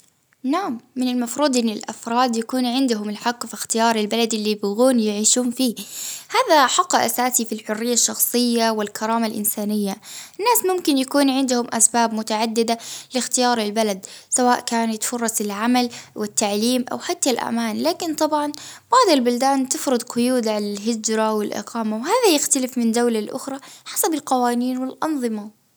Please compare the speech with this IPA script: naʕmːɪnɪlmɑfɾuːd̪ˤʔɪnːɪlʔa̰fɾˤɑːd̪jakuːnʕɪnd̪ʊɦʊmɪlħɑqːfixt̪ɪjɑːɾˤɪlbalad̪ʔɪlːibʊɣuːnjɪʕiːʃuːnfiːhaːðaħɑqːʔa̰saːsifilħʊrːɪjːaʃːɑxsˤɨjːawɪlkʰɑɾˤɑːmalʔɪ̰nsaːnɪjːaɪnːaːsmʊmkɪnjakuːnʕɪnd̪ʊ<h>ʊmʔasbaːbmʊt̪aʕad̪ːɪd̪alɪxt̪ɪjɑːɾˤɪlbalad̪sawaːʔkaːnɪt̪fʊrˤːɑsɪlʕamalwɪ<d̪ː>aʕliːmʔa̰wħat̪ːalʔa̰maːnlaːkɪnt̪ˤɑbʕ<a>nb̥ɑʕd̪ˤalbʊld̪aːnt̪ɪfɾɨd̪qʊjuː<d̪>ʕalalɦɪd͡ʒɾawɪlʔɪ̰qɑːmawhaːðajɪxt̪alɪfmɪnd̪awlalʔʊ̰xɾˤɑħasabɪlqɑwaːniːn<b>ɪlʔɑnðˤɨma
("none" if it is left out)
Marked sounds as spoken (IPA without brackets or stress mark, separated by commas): h, t̪ː, ɑ, d̪, w